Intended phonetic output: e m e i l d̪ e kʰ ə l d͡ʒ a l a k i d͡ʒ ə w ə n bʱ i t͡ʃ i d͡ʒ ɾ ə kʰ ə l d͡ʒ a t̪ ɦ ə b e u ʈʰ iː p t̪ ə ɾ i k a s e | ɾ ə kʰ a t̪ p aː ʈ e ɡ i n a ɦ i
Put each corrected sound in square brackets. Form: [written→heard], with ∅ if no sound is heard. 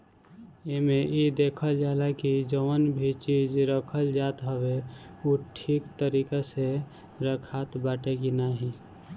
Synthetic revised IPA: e m e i [l→∅] d̪ e kʰ ə l d͡ʒ a l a k i d͡ʒ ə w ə n bʱ i t͡ʃ i d͡ʒ ɾ ə kʰ ə l d͡ʒ a t̪ ɦ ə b e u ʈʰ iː [p→k] t̪ ə ɾ i k a s e | ɾ ə kʰ a t̪ [p→b] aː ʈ e ɡ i n a ɦ i